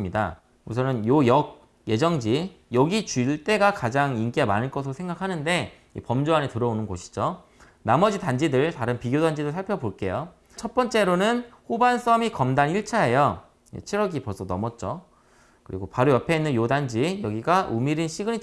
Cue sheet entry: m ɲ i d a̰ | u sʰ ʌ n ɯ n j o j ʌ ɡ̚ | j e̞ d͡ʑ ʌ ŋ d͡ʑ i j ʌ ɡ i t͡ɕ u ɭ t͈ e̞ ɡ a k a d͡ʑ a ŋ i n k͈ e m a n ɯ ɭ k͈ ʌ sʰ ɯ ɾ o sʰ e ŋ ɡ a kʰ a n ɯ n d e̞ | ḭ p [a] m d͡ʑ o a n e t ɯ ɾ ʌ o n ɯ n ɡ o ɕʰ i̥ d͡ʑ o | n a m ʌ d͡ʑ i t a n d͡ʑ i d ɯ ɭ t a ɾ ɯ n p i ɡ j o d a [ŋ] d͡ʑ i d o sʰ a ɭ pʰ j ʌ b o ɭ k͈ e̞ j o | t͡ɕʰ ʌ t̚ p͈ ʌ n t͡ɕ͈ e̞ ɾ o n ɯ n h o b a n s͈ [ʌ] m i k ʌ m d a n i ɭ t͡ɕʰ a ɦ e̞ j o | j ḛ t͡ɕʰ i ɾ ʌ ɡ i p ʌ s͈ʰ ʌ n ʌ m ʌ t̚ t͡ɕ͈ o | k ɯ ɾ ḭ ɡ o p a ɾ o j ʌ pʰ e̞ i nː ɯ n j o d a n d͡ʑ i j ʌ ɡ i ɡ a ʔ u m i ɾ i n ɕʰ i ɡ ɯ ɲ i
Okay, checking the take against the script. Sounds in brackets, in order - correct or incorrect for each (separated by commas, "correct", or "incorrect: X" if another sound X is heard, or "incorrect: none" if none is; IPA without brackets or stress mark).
incorrect: ʌ, incorrect: n, correct